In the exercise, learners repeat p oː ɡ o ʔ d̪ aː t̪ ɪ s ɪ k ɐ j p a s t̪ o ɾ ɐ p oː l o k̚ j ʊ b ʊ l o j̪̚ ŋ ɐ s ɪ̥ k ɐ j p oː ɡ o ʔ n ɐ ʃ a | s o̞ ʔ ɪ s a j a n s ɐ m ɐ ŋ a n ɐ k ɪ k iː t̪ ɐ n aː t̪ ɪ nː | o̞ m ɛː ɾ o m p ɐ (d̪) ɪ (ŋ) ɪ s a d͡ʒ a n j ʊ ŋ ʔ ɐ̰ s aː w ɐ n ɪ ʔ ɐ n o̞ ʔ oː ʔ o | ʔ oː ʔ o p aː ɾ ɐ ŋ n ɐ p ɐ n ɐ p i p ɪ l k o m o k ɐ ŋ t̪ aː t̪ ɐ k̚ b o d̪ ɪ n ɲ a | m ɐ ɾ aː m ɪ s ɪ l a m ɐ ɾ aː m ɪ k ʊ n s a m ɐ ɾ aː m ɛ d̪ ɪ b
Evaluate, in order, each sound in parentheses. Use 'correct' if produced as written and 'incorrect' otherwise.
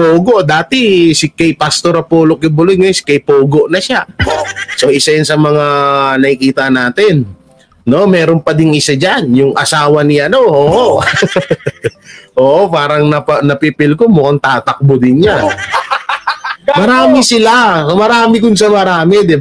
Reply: correct, correct

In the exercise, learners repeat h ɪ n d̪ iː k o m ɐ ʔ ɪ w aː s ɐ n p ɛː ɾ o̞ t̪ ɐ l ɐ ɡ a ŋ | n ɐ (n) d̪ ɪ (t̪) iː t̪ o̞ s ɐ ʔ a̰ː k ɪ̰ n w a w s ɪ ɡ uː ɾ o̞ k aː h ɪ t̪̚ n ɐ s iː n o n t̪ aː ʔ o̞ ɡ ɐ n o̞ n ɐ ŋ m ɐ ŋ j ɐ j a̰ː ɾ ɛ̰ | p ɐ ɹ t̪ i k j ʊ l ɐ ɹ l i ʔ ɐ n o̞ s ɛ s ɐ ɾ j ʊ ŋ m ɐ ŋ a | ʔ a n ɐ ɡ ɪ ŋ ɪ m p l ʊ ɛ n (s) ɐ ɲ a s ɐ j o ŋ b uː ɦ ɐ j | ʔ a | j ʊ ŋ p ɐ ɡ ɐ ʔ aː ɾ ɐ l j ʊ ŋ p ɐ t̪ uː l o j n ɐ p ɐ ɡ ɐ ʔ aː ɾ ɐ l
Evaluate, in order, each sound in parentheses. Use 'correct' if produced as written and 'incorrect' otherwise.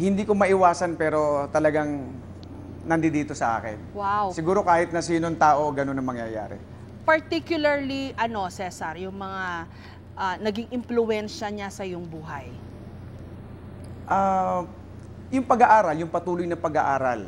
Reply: correct, incorrect, incorrect

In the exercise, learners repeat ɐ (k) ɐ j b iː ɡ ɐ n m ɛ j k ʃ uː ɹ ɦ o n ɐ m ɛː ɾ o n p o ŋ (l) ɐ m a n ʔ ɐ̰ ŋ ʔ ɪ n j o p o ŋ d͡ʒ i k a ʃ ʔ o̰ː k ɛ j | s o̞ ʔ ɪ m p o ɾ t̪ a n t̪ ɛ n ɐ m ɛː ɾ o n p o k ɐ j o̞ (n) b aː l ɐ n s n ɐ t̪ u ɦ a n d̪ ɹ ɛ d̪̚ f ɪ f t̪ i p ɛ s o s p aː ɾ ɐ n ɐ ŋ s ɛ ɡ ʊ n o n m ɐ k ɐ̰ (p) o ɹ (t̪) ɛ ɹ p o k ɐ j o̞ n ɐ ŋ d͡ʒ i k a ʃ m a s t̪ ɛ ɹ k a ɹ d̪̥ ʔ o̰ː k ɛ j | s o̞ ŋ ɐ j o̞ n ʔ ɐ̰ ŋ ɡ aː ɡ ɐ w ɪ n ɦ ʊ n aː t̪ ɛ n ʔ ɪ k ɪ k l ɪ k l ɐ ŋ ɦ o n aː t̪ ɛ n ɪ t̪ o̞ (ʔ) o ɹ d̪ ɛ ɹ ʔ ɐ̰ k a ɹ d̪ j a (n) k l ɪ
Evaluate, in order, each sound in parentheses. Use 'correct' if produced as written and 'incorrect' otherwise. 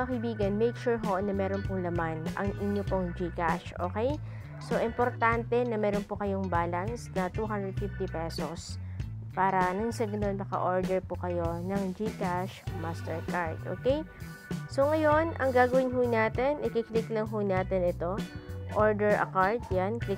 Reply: correct, correct, incorrect, incorrect, incorrect, correct, correct

